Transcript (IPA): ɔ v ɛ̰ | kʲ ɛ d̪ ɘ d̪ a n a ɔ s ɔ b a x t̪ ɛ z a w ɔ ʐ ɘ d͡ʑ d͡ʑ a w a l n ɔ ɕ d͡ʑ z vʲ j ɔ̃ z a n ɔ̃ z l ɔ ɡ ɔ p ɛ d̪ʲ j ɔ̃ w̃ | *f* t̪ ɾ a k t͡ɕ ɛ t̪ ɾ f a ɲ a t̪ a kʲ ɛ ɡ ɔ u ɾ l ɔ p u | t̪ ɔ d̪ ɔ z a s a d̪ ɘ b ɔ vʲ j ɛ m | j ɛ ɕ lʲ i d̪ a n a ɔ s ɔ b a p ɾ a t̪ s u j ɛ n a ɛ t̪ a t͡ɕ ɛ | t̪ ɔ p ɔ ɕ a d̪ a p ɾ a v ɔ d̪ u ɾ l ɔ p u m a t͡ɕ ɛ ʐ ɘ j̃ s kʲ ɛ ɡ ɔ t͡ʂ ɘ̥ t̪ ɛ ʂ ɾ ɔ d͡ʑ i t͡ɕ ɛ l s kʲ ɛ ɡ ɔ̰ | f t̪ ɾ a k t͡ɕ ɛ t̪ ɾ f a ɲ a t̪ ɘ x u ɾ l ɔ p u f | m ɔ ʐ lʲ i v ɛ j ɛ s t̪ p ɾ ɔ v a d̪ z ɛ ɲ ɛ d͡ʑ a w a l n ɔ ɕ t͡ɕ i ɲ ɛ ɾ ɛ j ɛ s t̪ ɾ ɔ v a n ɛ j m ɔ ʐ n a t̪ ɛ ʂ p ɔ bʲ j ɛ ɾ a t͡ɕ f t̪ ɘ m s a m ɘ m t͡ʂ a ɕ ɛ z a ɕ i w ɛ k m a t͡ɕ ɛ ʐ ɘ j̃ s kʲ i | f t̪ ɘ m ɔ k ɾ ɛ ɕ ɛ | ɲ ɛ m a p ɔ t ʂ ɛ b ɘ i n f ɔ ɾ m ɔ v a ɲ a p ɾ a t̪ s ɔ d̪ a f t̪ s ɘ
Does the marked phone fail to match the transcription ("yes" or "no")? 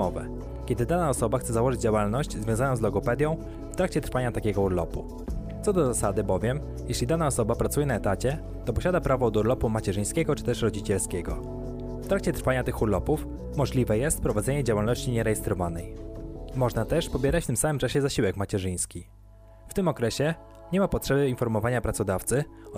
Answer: no